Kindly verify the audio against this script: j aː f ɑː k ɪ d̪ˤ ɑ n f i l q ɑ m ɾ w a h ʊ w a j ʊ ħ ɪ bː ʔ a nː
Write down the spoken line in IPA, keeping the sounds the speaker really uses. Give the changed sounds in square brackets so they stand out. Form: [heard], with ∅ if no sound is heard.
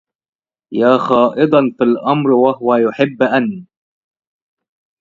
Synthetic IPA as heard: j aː [x] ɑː [ʔ] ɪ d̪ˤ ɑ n f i l [ʔ] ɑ m ɾ w a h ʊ w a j ʊ ħ ɪ bː ʔ a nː